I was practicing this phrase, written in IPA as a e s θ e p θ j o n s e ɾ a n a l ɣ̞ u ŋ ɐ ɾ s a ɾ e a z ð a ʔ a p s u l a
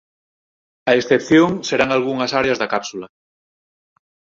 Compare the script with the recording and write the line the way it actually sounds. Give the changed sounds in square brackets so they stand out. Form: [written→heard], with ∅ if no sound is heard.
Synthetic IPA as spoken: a e s θ e p θ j o [n→ŋ] s e ɾ a [n→ŋ] a l ɣ̞ u ŋ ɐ [ɾ→∅] s a ɾ e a z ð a [ʔ→k] a p s u l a